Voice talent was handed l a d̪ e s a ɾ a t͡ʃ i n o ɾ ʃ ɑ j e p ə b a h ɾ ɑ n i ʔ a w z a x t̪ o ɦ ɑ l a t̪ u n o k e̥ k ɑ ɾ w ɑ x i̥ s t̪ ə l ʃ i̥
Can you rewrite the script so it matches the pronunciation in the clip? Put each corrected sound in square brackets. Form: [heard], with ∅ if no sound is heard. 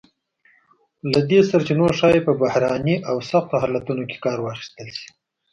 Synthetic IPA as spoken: l a d̪ e s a ɾ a t͡ʃ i n o ɾ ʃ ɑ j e p ə b a h ɾ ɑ n i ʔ a w [s] a x t̪ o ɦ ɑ l a t̪ u n o k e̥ k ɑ ɾ w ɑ x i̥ s t̪ ə l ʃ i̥